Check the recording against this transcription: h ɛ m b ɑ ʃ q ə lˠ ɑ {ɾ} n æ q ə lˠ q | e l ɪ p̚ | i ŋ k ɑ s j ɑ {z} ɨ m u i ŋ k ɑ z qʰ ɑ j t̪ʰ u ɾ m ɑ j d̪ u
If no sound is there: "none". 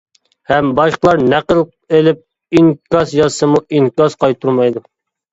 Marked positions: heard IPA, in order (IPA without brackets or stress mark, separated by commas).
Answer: ɾ, s